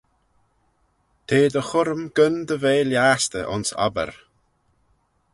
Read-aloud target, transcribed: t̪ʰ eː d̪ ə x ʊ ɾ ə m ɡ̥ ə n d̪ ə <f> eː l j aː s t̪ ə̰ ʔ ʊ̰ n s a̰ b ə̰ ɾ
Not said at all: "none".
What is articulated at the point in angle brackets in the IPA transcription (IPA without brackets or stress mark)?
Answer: v